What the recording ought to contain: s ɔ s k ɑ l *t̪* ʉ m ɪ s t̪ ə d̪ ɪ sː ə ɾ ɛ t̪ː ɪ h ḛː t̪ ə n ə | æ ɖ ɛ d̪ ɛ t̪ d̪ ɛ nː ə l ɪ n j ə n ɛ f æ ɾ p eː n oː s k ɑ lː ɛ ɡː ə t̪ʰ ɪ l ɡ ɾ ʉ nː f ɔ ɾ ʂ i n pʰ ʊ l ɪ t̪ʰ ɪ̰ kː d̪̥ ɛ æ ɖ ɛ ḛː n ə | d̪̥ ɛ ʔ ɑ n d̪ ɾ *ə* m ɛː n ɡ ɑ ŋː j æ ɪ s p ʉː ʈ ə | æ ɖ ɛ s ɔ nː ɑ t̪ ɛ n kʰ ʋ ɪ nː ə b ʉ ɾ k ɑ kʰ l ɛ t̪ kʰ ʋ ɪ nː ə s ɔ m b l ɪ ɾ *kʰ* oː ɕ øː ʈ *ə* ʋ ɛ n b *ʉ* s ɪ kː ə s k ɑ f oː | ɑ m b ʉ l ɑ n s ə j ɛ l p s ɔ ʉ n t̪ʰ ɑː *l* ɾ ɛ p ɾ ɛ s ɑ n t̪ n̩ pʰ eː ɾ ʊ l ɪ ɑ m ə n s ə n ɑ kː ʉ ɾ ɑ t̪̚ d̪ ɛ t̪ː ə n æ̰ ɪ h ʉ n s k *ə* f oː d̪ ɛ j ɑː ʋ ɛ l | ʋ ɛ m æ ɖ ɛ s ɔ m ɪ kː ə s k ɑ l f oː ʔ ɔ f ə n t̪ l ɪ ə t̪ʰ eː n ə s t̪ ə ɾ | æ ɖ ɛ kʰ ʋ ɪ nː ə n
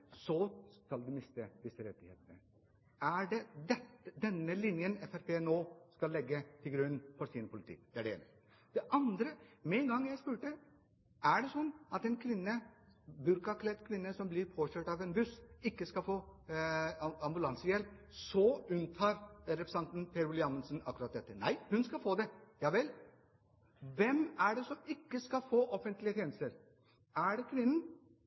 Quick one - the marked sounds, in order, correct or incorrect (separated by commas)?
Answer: incorrect, correct, incorrect, incorrect, correct, incorrect, incorrect